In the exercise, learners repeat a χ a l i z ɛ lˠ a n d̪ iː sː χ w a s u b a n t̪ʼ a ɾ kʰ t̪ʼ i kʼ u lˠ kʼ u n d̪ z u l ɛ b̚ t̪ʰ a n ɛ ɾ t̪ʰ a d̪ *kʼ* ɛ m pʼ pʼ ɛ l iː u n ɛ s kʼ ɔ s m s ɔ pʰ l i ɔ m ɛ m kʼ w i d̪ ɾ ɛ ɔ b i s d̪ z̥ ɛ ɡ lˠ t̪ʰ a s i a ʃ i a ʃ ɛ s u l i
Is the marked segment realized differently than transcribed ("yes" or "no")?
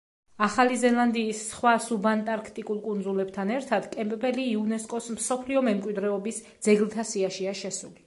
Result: no